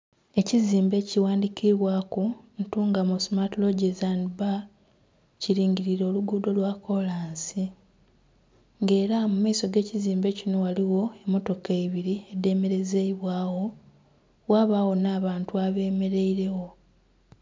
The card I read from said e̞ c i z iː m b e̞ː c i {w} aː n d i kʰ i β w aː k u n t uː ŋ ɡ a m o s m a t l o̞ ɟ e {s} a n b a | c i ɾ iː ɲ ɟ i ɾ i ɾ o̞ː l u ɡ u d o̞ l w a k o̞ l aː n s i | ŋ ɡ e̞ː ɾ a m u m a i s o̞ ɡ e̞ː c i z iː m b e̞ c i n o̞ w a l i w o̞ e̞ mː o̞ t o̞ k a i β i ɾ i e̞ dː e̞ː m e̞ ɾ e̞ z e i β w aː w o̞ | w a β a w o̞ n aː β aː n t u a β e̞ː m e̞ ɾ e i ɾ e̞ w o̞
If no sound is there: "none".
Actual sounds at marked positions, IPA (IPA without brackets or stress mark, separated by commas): w, z